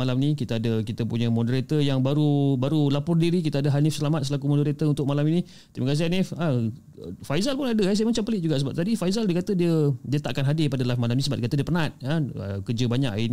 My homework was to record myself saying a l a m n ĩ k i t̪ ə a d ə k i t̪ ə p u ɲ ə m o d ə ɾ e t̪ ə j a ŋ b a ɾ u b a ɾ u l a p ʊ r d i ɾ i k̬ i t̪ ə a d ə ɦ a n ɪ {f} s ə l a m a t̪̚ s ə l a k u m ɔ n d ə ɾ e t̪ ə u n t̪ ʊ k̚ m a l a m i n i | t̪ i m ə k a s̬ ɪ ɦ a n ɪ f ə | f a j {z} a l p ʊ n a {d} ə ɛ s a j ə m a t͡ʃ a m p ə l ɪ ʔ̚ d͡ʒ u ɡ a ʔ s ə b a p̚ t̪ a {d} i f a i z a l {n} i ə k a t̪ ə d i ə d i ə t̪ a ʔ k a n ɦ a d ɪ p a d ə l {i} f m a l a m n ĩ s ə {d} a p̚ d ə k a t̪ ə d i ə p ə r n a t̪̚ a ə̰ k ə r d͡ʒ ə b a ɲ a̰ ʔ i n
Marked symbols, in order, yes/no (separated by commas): yes, yes, yes, yes, no, no, no